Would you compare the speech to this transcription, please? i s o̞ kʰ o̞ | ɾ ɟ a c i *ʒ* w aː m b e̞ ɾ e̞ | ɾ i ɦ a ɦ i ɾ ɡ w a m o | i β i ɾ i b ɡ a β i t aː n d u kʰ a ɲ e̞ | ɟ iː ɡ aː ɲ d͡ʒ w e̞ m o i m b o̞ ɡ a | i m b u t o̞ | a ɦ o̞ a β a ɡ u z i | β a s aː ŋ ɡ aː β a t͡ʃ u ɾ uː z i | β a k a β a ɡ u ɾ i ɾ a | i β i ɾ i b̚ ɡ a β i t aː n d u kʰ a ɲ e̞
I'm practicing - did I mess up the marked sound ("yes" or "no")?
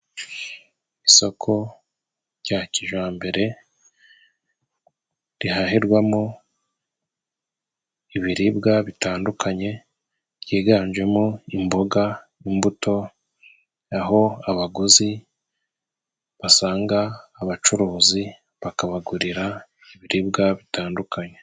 no